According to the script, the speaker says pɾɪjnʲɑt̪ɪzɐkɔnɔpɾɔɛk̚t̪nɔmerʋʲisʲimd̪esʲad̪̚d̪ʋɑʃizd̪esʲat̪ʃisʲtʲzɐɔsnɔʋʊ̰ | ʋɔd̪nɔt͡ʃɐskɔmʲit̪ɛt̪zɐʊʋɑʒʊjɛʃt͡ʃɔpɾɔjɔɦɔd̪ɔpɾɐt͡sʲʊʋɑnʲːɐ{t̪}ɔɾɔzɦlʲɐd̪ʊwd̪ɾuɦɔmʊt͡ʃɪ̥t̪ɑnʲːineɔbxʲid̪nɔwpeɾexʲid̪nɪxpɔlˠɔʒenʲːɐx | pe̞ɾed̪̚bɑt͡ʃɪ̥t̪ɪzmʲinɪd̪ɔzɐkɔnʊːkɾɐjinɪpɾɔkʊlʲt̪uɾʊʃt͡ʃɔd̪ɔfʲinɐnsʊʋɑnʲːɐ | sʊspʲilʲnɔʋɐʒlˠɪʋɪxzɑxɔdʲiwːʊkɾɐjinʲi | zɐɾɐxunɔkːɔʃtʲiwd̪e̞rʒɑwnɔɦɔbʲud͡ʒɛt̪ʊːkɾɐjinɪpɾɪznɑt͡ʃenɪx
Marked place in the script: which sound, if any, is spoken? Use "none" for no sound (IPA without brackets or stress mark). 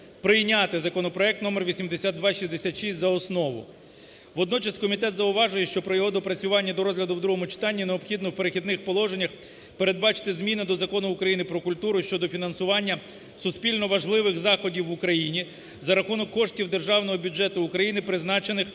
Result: d̪